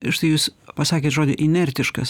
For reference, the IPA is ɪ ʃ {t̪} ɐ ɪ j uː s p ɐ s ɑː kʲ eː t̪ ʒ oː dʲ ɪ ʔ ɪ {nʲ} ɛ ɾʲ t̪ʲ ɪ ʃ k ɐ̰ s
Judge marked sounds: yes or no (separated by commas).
yes, yes